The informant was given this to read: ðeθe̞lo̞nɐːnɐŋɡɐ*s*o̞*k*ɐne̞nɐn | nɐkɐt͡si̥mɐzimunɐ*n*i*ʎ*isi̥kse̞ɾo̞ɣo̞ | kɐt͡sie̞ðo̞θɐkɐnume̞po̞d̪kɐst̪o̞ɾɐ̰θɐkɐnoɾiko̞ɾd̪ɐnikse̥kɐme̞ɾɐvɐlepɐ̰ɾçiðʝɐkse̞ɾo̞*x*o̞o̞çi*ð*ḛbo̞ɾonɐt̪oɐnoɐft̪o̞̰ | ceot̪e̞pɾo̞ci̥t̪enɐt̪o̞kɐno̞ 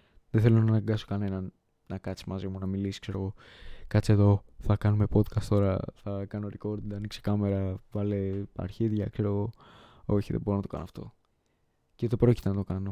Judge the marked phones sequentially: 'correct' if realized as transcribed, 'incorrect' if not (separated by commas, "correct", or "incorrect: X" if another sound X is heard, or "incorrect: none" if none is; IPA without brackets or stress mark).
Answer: correct, correct, incorrect: m, incorrect: l, incorrect: ɣ, correct